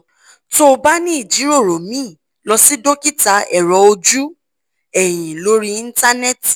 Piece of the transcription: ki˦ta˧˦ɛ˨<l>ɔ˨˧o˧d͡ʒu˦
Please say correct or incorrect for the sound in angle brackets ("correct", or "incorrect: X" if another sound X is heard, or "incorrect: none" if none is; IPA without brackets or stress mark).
incorrect: ɾ